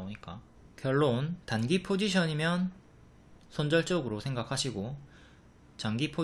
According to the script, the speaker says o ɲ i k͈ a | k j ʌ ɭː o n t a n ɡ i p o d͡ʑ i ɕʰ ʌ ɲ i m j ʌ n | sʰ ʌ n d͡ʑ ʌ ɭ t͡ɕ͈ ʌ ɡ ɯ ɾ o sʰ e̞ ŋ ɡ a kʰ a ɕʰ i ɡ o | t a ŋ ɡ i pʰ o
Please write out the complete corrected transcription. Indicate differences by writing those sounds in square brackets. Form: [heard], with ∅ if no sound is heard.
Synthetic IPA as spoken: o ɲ i k͈ a | k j ʌ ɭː o n t a n ɡ i [pʰ] o d͡ʑ i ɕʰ ʌ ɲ i m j ʌ n | sʰ ʌ n d͡ʑ ʌ ɭ t͡ɕ͈ ʌ ɡ ɯ ɾ o sʰ e̞ ŋ ɡ a kʰ a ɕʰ i ɡ o | [t͡ɕ] a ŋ ɡ i pʰ o